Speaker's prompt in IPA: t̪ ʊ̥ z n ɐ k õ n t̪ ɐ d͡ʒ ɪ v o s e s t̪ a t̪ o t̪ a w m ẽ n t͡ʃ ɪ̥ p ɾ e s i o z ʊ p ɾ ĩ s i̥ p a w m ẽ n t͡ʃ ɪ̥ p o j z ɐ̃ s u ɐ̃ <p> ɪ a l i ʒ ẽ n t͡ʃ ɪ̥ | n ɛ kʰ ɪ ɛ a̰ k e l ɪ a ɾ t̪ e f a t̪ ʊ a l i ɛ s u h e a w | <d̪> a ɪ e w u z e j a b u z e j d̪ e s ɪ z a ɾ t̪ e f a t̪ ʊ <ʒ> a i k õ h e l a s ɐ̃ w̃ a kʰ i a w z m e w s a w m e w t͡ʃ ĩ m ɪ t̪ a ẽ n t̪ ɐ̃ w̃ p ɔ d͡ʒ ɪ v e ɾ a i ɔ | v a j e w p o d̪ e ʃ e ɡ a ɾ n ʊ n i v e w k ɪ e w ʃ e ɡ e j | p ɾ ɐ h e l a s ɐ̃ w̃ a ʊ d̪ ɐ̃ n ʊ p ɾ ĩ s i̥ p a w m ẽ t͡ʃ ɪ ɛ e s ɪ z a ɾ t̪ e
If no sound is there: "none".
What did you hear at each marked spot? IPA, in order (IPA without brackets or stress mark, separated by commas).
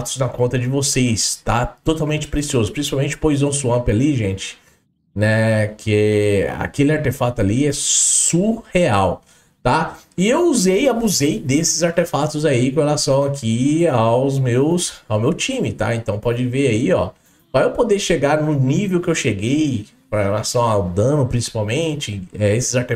p, t̪, z